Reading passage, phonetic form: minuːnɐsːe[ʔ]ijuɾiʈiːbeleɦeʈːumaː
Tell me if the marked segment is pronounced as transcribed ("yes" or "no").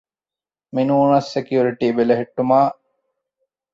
no